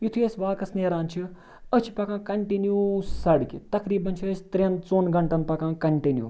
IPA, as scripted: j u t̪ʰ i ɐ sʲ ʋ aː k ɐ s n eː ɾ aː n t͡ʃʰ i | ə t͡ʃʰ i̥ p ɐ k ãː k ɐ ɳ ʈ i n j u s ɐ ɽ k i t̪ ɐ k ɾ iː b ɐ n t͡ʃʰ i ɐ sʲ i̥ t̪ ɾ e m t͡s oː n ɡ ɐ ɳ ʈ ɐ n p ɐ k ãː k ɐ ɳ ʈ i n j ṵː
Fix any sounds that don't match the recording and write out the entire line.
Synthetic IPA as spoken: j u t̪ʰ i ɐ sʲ ʋ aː k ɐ s n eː ɾ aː n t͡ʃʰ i | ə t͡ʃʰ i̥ p ɐ k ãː k ɐ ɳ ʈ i n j u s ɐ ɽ k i t̪ ɐ k ɾ iː b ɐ n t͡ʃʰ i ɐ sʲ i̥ t̪ ɾ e n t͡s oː n ɡ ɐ ɳ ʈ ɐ n p ɐ k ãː k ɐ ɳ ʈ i n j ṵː